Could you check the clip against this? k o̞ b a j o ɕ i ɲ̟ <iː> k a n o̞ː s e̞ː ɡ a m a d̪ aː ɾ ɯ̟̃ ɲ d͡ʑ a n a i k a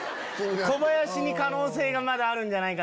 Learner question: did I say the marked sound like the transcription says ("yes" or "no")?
no